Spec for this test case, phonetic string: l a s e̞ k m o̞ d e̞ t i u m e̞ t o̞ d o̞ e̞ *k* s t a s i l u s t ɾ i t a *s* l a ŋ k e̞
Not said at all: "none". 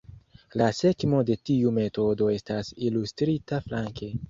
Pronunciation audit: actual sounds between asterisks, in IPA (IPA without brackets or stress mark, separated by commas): none, f